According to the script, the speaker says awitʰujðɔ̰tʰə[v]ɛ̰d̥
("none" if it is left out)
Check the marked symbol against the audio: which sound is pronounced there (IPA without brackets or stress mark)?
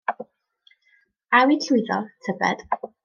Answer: b